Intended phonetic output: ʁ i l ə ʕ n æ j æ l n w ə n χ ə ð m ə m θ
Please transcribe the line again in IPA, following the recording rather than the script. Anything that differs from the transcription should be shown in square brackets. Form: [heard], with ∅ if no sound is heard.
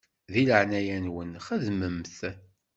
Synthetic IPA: [ð] i l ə ʕ n æ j æ [∅] n w ə n χ ə ð m ə m θ